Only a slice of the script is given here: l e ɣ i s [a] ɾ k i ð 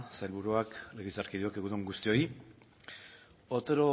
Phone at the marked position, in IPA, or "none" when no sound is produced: a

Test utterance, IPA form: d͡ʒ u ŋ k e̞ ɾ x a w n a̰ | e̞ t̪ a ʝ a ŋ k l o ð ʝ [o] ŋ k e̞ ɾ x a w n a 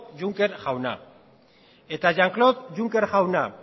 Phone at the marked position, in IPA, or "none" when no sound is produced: u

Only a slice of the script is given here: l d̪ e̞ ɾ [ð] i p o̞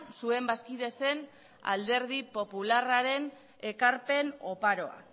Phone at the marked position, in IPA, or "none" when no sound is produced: ð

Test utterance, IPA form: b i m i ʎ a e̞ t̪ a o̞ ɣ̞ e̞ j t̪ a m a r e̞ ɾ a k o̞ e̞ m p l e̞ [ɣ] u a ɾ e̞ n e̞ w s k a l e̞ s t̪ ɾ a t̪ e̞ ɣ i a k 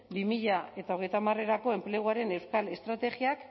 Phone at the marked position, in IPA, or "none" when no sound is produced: ɣ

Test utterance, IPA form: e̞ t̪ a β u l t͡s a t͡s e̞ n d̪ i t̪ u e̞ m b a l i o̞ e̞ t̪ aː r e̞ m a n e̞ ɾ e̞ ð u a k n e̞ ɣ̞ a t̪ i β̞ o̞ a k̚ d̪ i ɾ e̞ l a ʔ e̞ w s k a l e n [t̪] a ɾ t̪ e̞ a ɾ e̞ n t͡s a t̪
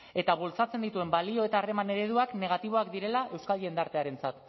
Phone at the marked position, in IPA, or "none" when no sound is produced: d̪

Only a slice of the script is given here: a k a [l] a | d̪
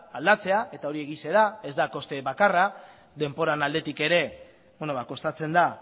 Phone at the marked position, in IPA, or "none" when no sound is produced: r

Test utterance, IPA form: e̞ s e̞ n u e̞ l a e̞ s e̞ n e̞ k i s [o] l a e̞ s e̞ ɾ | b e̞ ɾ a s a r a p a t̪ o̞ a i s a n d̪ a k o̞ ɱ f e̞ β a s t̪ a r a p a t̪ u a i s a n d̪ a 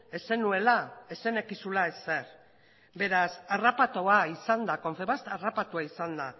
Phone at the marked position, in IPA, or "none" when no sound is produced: u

